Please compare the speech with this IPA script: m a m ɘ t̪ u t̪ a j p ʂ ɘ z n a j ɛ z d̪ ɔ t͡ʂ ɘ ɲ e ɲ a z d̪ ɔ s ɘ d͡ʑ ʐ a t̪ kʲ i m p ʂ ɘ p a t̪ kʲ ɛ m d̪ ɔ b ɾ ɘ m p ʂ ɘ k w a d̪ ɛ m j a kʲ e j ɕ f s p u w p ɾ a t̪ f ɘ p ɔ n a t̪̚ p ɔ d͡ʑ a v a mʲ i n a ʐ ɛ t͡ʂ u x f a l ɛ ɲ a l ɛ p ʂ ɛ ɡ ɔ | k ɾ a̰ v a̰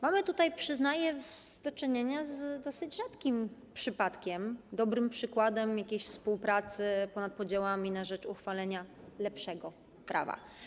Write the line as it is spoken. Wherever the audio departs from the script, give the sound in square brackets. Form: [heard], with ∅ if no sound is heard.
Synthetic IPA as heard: m a m ɘ t̪ u t̪ a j p ʂ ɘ z n a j ɛ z d̪ ɔ t͡ʂ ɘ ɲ e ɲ a z d̪ ɔ s ɘ d͡ʑ ʐ a t̪ kʲ i m p ʂ ɘ p a t̪ kʲ ɛ m d̪ ɔ b ɾ ɘ m p ʂ ɘ k w a d̪ ɛ m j a kʲ e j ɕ f s p u w p ɾ a t̪ [s] ɘ p ɔ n a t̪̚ p ɔ d͡ʑ a [w] a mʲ i n a ʐ ɛ t͡ʂ u x f a l ɛ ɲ a l ɛ p ʂ ɛ ɡ ɔ | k ɾ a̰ v a̰